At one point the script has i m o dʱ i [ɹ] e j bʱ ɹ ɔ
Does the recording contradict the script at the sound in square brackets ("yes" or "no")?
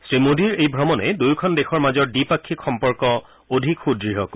no